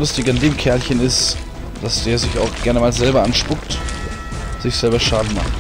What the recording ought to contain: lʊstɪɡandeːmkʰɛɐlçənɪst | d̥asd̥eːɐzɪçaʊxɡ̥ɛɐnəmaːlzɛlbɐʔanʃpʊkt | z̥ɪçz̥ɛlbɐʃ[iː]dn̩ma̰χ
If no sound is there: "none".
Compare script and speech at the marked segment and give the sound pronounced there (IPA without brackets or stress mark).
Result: aː